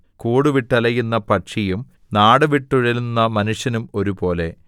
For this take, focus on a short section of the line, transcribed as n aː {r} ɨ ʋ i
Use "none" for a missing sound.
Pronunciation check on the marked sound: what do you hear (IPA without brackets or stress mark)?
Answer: ɽ